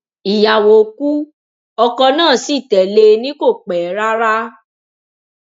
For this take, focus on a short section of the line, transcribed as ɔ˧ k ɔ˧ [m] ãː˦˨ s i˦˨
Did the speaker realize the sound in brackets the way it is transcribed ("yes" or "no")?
no